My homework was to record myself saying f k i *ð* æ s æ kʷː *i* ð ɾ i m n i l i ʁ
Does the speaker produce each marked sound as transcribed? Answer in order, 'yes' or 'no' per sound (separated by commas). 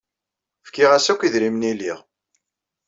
no, yes